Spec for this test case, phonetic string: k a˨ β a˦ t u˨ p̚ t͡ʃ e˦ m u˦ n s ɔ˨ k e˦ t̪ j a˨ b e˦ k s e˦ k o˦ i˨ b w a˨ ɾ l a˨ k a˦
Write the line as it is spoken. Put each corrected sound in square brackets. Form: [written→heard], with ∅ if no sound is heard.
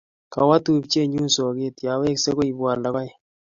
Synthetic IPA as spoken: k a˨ [β→w] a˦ t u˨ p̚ t͡ʃ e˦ [m→ɲ] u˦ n s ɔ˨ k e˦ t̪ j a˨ [b→w] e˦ k s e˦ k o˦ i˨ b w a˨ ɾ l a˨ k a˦